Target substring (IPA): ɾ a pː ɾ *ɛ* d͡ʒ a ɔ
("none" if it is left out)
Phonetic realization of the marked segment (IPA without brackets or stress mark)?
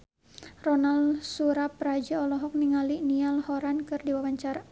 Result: a